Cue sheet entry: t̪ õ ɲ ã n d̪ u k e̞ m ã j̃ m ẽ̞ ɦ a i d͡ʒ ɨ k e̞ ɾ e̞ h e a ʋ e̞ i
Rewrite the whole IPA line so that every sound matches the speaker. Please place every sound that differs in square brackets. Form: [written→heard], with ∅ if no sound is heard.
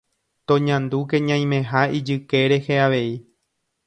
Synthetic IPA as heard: t̪ õ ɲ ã n d̪ u k e̞ [m→ɲ] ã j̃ m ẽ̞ ɦ a i d͡ʒ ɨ k e̞ ɾ e̞ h e a ʋ e̞ i